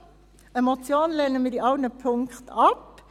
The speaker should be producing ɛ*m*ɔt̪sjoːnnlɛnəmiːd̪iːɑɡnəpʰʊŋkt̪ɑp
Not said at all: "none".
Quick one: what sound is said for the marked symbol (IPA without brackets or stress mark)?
m